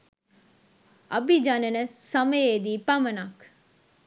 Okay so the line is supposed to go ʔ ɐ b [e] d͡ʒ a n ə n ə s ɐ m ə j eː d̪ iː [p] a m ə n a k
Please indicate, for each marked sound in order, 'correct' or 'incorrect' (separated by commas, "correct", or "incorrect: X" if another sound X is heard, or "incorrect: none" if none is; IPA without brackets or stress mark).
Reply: incorrect: i, correct